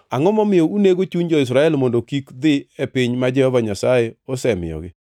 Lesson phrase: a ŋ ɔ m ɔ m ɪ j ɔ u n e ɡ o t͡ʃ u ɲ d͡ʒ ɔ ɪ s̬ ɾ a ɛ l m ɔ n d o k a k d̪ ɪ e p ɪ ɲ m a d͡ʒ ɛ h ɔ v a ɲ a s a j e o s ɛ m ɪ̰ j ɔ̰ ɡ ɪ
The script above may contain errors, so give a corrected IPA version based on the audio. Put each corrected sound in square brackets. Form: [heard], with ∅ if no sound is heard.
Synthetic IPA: a ŋ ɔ m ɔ m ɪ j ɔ u n e ɡ o t͡ʃ u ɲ d͡ʒ ɔ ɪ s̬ ɾ a ɛ l m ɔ n d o k [i] k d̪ ɪ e p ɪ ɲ m a d͡ʒ ɛ h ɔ v a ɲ a s a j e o s ɛ m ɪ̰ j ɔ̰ ɡ ɪ